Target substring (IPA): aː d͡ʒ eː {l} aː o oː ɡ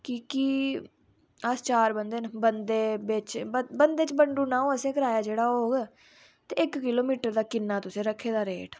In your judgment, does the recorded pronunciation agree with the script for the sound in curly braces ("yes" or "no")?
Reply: no